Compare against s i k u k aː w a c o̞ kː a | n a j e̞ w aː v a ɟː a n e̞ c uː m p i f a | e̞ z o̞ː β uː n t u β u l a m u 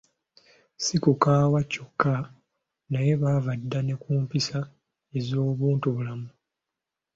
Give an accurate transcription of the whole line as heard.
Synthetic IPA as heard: s i k u k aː w a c o̞ kː a | n a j e̞ β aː v a dː a n e̞ k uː m p i s a | e̞ z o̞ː β uː n t u β u l a m u